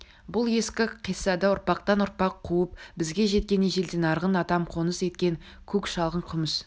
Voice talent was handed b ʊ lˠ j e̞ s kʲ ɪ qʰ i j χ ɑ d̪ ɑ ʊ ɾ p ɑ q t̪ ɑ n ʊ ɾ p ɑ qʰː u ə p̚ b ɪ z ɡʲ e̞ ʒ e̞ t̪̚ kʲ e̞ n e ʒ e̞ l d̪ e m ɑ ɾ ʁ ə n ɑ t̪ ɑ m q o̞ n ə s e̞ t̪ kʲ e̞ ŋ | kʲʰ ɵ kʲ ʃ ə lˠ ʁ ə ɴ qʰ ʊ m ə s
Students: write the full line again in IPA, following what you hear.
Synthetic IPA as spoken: b ʊ lˠ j e̞ s kʲ ɪ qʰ i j s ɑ d̪ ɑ ʊ ɾ p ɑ q t̪ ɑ n ʊ ɾ p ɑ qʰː u ə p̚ b ɪ z ɡʲ e̞ ʒ e̞ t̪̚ kʲ e̞ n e ʒ e̞ l d̪ e n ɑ ɾ ʁ ə n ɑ t̪ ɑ m qʰ o̞ n ə s e̞ t̪ kʲ e̞ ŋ | kʲʰ ɵ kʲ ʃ ɑ lˠ ʁ ə ɴ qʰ ʊ m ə s